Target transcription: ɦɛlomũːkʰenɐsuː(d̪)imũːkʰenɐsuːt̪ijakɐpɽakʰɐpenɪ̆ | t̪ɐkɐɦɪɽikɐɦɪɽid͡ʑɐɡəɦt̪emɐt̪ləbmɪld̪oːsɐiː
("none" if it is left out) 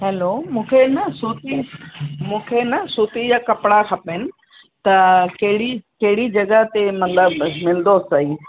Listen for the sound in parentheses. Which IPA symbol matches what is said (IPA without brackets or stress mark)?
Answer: t̪